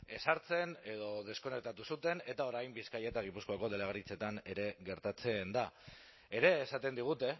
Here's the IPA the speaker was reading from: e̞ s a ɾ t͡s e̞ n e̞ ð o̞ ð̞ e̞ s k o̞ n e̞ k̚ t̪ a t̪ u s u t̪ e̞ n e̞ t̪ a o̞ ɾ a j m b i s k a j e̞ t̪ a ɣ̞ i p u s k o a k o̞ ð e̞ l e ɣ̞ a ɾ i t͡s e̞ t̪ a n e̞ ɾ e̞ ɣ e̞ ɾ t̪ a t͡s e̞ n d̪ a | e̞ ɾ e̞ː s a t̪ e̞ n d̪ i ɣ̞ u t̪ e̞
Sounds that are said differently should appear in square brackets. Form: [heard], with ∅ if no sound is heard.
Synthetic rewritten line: e̞ s a ɾ t͡s e̞ n e̞ ð o̞ ð̞ e̞ s k o̞ n e̞ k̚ t̪ a t̪ u s u t̪ e̞ n e̞ t̪ a o̞ ɾ a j m b i s k a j e̞ t̪ a ɣ̞ i p u s k o a k o̞ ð e̞ l e ɣ̞ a ɾ i t͡s e̞ t̪ a n e̞ ɾ e̞ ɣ e̞ ɾ t̪ a t͡s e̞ n d̪ a | e̞ ɾ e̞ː s a t̪ e̞ n d̪ i ɣ̞ u t̪ e̞